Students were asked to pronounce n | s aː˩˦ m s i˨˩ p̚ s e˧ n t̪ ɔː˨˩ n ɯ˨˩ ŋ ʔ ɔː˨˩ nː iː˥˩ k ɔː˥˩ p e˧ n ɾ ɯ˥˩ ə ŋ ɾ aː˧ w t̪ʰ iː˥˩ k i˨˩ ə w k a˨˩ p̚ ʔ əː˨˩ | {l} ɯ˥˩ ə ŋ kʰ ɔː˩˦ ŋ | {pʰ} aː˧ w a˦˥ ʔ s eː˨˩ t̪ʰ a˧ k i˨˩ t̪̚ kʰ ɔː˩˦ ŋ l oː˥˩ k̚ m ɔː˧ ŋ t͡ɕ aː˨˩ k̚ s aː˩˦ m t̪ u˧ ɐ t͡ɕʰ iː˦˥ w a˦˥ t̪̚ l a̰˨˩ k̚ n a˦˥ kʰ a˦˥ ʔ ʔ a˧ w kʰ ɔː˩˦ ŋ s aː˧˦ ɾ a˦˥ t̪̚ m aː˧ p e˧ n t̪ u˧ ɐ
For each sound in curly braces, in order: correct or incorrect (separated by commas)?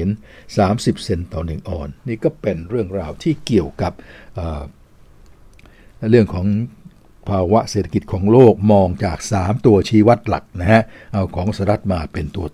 incorrect, correct